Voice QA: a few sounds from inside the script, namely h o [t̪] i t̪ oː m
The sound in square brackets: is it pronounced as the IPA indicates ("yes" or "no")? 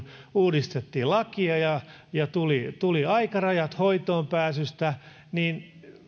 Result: no